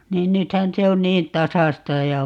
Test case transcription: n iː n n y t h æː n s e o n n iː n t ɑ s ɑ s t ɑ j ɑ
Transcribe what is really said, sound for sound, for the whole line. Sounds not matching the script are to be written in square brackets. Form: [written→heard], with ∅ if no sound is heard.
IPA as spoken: n iː n n y t h [æː→æ] n s e o n n iː n t ɑ s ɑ s t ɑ j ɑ